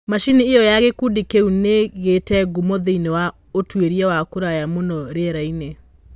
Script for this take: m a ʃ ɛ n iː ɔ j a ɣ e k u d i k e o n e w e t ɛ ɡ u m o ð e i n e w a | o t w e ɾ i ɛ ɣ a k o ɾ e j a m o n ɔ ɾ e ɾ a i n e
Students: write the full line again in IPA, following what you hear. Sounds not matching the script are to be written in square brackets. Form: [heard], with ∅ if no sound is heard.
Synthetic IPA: m a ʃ [i] n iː ɔ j a ɣ e k u d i k e [u] n e [ɣ] e t ɛ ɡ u m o ð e i n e w a | o t w e ɾ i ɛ [w] a k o ɾ [a] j a m o n ɔ ɾ e ɾ a i n e